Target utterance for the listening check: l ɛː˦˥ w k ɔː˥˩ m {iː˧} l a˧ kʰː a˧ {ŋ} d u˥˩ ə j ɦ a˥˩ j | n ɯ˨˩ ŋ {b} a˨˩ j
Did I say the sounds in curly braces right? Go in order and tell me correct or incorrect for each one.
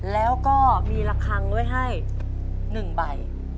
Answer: correct, correct, correct

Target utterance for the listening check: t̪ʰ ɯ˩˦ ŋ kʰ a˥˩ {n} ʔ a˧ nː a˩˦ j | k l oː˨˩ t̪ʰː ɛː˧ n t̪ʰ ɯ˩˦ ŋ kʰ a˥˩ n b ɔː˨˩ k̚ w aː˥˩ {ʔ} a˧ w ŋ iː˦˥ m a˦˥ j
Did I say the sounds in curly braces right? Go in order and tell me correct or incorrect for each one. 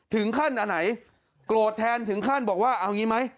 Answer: correct, correct

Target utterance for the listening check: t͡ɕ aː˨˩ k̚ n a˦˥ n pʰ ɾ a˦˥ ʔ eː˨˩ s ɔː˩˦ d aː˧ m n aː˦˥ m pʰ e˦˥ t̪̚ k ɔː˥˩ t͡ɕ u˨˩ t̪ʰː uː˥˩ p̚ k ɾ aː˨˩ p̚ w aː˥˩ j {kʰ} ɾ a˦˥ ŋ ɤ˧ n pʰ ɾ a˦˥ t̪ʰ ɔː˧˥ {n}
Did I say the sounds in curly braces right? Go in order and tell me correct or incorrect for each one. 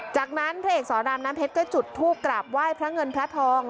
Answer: incorrect: pʰ, incorrect: ŋ

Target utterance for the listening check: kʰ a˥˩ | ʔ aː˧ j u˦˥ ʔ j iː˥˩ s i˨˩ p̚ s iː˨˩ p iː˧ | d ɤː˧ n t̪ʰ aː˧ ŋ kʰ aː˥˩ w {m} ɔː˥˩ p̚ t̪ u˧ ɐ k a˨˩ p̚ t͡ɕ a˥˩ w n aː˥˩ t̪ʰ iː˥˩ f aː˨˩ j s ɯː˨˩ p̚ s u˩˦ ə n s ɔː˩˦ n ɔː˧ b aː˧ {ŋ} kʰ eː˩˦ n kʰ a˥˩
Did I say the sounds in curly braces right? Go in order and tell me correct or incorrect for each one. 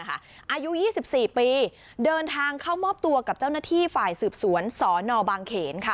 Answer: correct, correct

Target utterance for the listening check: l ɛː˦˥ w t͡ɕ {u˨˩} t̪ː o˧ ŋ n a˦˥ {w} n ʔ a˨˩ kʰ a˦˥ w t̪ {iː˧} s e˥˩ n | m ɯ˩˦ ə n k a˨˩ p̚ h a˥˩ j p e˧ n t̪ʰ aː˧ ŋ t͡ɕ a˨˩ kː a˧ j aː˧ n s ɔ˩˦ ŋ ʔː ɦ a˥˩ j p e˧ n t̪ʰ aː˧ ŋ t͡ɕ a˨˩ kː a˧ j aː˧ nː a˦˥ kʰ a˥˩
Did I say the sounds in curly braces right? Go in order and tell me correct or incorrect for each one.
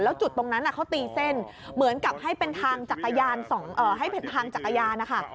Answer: correct, incorrect: none, correct

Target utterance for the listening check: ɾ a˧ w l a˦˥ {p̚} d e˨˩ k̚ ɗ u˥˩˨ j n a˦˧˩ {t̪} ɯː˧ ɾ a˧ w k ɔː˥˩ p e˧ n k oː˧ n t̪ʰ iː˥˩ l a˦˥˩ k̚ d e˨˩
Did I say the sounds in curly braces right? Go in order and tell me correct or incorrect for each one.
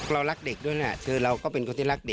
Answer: incorrect: k̚, incorrect: t̪ʰ

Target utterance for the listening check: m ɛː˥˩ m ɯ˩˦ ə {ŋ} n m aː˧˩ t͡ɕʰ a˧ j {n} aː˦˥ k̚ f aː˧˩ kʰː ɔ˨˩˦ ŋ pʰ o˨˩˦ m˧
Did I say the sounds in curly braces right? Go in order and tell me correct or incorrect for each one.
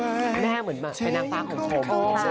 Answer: incorrect: none, correct

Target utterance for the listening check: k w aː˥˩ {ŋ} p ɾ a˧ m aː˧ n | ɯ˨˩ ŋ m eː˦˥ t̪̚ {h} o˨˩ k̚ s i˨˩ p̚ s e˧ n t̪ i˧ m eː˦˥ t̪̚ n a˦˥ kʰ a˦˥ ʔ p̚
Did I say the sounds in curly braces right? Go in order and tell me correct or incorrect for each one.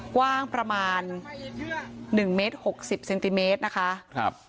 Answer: correct, correct

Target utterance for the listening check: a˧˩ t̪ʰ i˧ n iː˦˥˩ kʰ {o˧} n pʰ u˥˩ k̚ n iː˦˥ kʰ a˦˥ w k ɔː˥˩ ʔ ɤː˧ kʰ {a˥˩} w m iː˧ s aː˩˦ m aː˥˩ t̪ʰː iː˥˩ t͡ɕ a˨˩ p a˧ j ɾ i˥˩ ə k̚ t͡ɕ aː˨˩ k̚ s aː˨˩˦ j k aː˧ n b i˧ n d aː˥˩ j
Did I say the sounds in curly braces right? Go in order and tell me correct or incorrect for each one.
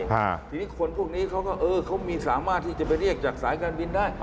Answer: correct, incorrect: a˦˥

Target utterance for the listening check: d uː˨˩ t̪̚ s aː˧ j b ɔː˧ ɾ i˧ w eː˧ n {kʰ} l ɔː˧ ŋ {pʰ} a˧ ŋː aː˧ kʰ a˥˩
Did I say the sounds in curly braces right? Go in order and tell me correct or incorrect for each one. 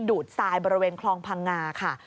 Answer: correct, correct

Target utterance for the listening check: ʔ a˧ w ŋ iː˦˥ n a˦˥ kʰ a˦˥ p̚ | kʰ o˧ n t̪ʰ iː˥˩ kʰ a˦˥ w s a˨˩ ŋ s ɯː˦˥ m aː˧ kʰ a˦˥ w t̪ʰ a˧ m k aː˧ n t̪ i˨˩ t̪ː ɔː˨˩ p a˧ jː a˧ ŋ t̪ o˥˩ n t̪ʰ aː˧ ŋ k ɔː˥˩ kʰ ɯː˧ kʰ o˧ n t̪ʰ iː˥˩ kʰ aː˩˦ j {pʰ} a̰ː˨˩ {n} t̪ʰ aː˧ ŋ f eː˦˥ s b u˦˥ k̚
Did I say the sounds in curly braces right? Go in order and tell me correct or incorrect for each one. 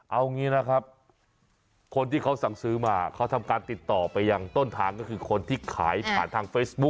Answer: correct, correct

